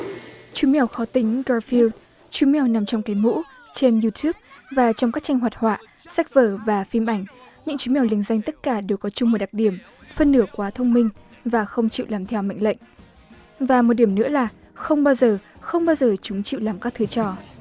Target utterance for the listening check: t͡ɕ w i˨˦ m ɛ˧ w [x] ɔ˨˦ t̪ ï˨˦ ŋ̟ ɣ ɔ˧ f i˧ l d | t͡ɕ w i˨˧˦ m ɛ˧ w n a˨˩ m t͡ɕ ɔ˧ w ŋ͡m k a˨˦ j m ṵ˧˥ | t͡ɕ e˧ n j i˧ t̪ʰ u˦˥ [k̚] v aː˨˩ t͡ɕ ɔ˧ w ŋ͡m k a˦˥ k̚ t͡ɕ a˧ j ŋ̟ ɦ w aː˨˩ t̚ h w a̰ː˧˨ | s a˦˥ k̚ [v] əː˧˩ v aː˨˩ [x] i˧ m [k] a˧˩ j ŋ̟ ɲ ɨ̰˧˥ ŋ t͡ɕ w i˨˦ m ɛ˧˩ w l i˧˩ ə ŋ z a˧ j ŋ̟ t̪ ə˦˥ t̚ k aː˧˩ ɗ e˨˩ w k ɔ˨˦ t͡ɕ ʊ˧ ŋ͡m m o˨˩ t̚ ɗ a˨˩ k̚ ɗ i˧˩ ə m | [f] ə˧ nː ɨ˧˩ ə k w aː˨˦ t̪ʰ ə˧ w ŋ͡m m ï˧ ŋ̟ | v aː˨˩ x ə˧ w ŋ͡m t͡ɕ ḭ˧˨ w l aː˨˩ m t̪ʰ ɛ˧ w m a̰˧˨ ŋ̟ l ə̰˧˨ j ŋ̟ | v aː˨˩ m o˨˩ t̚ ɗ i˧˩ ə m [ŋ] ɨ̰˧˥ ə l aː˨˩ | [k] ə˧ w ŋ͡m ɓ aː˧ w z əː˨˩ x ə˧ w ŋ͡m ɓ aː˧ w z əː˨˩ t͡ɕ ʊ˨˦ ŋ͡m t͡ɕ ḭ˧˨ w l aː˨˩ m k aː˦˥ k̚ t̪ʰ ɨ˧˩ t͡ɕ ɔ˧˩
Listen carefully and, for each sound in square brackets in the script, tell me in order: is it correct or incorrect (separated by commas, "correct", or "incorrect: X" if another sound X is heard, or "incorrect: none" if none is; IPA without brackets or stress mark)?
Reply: correct, incorrect: p̚, correct, incorrect: f, incorrect: ʔ, correct, incorrect: n, incorrect: x